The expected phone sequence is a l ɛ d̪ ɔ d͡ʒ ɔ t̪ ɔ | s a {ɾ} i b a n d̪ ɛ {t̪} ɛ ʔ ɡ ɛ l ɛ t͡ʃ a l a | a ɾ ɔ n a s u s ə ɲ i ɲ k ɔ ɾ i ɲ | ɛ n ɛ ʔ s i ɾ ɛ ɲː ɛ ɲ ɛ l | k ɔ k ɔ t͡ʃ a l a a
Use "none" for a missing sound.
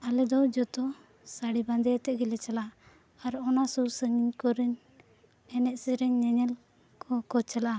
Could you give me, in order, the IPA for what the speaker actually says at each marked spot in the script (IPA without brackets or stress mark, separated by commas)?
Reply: ɽ, t̪